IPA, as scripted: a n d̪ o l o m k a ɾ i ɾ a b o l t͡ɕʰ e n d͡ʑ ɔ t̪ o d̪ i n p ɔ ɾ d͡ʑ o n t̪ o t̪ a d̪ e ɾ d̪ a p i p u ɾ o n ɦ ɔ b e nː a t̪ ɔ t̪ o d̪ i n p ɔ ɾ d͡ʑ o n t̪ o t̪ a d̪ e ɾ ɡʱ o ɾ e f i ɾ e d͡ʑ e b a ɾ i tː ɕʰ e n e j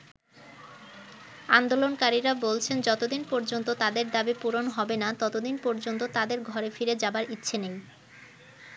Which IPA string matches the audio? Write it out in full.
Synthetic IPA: a n d̪ o l o n k a ɾ i ɾ a b o l t͡ɕʰ e n d͡ʑ ɔ t̪ o d̪ i n p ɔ ɾ d͡ʑ o n t̪ o t̪ a d̪ e ɾ d̪ a b i p u ɾ o n ɦ ɔ b e n a t̪ ɔ t̪ o d̪ i n p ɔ ɾ d͡ʑ o n t̪ o t̪ a d̪ e ɾ ɡʱ ɔ ɾ e f i ɾ e d͡ʑ a b a ɾ i tː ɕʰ e n e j